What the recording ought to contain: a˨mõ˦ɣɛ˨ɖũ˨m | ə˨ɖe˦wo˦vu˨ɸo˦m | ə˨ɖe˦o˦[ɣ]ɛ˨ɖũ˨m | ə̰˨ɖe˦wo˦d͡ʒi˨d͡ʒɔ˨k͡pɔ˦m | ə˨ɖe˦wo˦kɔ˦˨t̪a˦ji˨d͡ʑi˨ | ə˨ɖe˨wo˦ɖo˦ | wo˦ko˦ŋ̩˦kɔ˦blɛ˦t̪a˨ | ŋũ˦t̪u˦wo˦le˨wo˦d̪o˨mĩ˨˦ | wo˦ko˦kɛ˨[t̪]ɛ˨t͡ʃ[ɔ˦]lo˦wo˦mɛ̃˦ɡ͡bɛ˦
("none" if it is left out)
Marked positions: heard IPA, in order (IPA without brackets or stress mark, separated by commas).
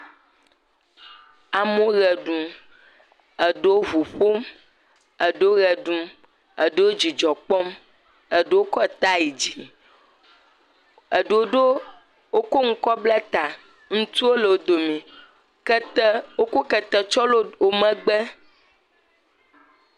ɣ, t̪, ɔ˦